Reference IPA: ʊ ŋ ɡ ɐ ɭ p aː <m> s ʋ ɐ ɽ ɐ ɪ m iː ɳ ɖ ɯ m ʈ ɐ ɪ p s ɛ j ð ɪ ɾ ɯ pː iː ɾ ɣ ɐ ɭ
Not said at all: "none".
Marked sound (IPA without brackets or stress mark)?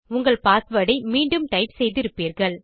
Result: none